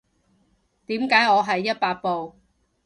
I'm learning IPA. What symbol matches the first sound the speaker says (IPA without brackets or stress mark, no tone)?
t̪